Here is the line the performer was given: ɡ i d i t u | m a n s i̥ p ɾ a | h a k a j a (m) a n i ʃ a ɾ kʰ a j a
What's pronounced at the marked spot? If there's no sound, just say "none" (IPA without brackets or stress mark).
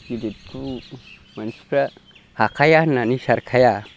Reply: n